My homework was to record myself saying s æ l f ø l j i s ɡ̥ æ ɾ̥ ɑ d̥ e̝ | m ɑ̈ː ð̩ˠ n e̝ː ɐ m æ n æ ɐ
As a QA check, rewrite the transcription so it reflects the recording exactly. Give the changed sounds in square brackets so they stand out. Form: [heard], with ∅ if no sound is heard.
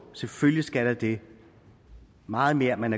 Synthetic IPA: s [e] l f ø l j i s ɡ̥ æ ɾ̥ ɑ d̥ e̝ | m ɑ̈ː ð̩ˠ [m] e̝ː ɐ m æ n æ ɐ